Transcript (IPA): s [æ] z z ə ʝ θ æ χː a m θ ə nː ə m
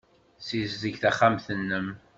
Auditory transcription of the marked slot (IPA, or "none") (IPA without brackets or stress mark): i